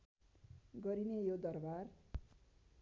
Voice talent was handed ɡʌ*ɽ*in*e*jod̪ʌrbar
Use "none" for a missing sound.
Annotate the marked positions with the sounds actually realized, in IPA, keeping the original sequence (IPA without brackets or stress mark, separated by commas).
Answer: ɾ, e